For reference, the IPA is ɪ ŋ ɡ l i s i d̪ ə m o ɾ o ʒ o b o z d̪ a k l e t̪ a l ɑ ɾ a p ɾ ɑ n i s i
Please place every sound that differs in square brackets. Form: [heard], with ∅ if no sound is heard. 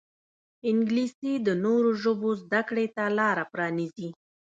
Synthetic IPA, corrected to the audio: ɪ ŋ ɡ l i s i d̪ ə [n] o ɾ o ʒ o b o z d̪ a k [ɽ] e t̪ a l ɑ ɾ a p ɾ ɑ n i [z] i